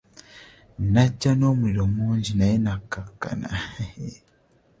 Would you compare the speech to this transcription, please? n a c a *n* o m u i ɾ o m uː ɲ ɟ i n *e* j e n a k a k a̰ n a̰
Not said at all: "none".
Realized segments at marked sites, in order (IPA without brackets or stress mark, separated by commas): n, a